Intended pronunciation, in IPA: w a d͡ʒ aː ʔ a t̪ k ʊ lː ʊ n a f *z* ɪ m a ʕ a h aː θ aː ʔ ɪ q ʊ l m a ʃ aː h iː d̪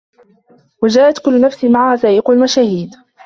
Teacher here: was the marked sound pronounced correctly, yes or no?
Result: no